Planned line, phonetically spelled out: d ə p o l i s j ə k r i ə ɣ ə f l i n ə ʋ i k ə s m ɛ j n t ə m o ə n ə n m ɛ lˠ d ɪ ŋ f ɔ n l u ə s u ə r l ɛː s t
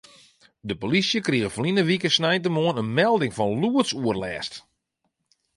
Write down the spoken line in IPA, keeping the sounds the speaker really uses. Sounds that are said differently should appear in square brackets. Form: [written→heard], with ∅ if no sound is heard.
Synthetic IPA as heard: d ə p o l i s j ə k r i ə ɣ ə f l i n ə ʋ i k ə s [m→n] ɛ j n t ə m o ə n ə n m ɛ lˠ d ɪ ŋ f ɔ n l u ə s u ə r l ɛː s t